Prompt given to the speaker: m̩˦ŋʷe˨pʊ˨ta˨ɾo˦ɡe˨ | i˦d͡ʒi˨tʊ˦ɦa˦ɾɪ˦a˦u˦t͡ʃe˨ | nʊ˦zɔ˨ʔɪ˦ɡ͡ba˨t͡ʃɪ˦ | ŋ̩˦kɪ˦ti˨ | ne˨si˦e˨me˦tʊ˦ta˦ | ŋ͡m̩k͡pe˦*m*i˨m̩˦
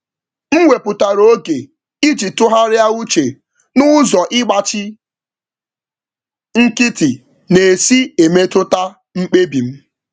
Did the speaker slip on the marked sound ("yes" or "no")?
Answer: yes